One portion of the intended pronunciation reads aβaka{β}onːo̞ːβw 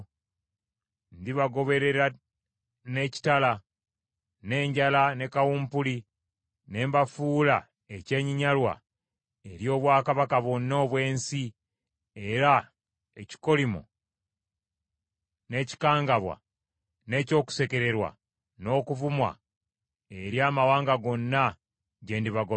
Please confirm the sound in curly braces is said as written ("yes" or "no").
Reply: yes